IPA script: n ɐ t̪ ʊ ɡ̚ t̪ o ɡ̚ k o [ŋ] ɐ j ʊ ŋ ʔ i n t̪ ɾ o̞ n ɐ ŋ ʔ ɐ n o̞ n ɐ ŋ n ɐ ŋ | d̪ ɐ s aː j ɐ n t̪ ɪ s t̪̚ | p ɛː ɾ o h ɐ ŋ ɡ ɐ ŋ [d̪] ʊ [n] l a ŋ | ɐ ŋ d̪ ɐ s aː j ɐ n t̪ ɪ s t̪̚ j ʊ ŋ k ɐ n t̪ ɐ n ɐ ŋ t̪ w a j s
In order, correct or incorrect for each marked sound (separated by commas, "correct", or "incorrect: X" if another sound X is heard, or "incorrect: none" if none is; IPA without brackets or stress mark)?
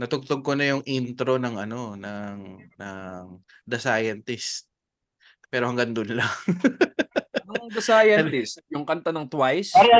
incorrect: n, correct, correct